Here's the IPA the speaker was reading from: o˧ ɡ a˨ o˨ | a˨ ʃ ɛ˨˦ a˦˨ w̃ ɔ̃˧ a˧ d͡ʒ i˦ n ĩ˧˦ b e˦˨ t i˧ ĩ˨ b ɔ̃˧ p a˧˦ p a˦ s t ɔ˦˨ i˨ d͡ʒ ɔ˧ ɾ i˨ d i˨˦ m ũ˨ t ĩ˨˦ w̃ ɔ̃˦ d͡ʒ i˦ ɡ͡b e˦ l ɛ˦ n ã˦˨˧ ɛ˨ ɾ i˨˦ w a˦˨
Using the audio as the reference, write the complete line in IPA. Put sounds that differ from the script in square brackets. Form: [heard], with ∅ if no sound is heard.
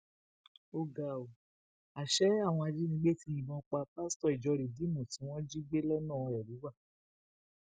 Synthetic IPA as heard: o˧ ɡ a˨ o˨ | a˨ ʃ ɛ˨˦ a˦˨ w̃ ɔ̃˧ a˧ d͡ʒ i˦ n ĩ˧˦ [ɡ͡b] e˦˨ t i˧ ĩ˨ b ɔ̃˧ [k͡p] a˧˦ p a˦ s t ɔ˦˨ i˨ d͡ʒ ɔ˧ ɾ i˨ d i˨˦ m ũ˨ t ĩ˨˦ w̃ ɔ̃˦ d͡ʒ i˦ ɡ͡b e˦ l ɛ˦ n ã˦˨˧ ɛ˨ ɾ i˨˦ w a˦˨